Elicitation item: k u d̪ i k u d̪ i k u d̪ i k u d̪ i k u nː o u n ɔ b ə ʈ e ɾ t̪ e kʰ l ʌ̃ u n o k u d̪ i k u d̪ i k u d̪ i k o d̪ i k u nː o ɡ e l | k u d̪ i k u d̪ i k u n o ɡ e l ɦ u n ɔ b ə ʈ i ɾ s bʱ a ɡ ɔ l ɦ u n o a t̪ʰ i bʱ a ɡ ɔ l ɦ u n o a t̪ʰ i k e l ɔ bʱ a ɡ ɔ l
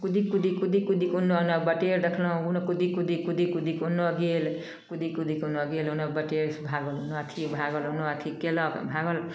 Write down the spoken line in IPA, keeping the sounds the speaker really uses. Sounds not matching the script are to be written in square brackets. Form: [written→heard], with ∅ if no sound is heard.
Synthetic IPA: k u d̪ i k u d̪ i k u d̪ i k u d̪ i k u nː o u n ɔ b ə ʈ e ɾ [t̪→d̪] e kʰ l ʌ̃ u n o k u d̪ i k u d̪ i k u d̪ i k [o→u] d̪ i k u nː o ɡ e l | k u d̪ i k u d̪ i k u n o ɡ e l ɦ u n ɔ b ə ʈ [i→e] ɾ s bʱ a ɡ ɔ l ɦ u n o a t̪ʰ i bʱ a ɡ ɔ l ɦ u n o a t̪ʰ i k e l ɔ bʱ a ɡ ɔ l